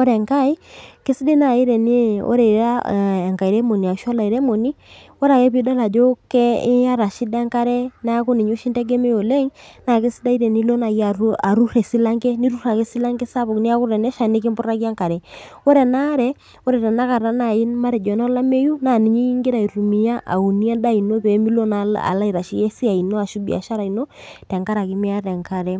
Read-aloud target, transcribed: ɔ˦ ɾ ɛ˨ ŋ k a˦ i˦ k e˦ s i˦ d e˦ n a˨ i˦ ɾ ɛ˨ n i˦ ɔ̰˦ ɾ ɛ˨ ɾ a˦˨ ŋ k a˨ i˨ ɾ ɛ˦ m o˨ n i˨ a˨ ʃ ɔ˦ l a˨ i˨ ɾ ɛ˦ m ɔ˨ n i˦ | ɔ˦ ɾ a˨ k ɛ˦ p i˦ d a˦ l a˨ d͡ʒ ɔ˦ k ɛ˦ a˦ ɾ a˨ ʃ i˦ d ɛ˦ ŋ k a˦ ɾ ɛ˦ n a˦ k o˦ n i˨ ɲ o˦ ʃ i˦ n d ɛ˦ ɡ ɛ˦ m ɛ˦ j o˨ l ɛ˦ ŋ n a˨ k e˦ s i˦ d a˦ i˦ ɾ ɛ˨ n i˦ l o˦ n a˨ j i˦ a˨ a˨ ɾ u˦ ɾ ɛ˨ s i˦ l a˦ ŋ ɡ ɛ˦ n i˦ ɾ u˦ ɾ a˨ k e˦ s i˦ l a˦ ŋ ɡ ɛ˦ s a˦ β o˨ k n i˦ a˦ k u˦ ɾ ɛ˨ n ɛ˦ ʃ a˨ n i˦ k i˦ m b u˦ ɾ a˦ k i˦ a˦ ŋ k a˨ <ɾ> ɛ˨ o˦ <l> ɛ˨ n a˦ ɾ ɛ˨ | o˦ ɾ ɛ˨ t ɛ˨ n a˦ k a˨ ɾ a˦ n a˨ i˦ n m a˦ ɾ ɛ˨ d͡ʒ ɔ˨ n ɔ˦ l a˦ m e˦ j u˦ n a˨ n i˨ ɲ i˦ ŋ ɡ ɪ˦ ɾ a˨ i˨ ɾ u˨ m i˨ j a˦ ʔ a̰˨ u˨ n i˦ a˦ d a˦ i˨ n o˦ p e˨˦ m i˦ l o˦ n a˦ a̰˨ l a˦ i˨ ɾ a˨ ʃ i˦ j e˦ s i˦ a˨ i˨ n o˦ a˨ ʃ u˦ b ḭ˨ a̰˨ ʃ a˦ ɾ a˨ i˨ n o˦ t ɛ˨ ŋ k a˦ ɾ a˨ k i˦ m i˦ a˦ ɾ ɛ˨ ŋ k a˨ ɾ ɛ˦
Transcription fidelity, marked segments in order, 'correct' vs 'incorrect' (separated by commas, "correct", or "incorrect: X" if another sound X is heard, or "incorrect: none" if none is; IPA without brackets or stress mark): correct, incorrect: ɾ